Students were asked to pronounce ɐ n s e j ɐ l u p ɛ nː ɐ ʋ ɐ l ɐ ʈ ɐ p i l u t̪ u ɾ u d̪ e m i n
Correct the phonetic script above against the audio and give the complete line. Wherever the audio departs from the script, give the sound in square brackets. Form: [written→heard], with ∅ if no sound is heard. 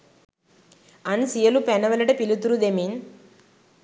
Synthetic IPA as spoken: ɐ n s [e→i] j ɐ l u p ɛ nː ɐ ʋ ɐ l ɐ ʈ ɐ p i l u t̪ u ɾ u d̪ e m i n